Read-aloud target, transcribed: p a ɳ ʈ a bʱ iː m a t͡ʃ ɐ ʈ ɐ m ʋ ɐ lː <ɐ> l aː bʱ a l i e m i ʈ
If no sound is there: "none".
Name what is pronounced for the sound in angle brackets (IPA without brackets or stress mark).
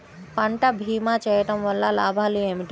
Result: a